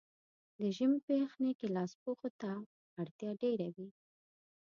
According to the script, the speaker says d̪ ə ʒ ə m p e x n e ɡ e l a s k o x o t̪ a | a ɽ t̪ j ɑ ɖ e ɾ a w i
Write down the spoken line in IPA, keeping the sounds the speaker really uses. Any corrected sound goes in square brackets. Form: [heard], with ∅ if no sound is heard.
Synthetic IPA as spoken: d̪ ə ʒ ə m p e x n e [k] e l [ɑ] s [p] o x o t̪ a | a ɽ t̪ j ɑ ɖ e ɾ a w i